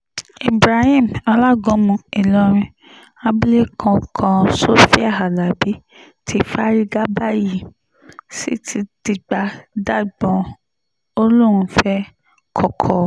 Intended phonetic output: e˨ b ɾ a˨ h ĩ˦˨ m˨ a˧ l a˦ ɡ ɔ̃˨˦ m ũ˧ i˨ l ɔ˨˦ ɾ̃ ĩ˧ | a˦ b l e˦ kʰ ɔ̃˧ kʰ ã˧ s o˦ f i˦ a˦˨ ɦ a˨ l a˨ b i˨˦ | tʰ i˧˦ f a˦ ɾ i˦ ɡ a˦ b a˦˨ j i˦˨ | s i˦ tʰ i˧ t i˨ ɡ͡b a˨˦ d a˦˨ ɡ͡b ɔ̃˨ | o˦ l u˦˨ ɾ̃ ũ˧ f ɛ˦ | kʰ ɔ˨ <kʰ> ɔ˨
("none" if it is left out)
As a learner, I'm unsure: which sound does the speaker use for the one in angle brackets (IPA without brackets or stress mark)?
kʰ